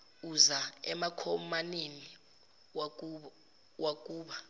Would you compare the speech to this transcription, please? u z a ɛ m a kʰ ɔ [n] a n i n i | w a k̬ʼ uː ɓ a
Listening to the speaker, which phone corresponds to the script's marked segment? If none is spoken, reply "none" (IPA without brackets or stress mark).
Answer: m